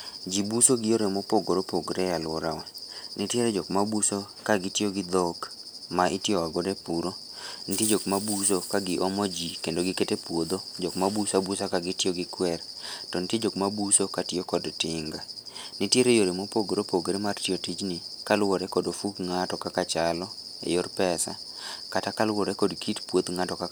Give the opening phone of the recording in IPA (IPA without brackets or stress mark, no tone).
d͡ʒ